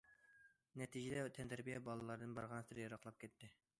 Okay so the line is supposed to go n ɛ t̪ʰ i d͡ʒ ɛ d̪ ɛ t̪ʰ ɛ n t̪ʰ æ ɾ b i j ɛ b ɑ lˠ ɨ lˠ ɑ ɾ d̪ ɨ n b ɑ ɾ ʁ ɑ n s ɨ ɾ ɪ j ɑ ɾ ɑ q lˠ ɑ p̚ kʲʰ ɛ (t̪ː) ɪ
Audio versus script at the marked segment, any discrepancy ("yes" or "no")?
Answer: no